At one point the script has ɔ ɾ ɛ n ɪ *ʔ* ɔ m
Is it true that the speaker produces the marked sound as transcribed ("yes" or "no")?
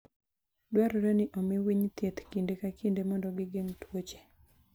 yes